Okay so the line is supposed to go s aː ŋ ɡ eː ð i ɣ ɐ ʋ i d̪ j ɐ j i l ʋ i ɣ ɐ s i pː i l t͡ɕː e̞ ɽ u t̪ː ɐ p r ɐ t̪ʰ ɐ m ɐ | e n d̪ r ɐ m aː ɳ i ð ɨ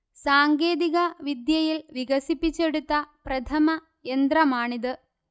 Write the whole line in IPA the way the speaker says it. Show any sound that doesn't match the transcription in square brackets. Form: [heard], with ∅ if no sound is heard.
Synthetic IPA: s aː ŋ ɡ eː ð i ɣ ɐ ʋ i d̪ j ɐ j i l ʋ i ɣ ɐ s i pː i [∅] t͡ɕː e̞ ɽ u t̪ː ɐ p r ɐ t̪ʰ ɐ m ɐ | e n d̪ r ɐ m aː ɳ i ð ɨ